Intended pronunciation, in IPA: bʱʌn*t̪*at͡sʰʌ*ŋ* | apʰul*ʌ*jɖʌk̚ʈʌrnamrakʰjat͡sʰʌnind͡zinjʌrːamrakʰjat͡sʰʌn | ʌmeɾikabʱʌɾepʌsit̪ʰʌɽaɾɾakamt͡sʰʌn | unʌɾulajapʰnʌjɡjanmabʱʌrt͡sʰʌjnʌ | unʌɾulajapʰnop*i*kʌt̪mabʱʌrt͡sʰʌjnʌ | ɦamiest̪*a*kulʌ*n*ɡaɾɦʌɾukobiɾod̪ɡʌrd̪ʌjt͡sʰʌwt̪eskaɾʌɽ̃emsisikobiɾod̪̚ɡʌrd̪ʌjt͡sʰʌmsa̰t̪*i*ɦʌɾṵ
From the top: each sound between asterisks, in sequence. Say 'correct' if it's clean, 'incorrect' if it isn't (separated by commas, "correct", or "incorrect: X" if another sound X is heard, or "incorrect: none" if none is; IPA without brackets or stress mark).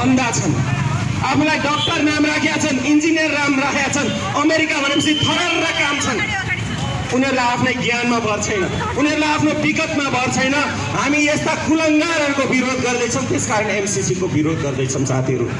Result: incorrect: d̪, incorrect: n, incorrect: a, correct, correct, incorrect: ŋ, correct